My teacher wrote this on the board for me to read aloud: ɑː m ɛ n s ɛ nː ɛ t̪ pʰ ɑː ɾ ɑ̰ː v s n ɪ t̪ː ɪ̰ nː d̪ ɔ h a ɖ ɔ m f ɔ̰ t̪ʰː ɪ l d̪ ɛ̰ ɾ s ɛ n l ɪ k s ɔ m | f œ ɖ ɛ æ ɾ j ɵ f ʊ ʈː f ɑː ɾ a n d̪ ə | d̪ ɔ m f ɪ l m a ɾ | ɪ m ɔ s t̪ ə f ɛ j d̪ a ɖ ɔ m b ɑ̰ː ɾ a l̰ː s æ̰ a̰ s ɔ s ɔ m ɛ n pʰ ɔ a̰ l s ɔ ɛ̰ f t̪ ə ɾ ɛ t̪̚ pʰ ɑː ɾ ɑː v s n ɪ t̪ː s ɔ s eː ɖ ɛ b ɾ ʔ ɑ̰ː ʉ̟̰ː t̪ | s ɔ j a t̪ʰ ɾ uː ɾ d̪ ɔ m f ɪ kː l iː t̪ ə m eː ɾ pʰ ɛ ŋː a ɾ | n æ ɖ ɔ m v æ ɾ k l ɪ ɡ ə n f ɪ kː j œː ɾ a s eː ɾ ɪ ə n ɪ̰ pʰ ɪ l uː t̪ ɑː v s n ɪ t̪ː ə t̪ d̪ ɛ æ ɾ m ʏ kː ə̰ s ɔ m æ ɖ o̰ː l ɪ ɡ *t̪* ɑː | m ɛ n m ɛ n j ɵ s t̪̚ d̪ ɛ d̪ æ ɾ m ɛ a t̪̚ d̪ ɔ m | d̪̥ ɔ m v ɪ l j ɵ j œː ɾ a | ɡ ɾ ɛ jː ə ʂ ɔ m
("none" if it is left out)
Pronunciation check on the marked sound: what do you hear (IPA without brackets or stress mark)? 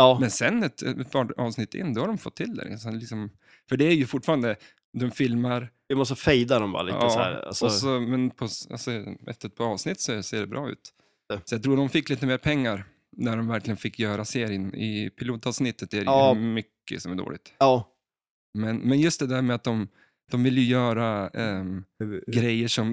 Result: t̪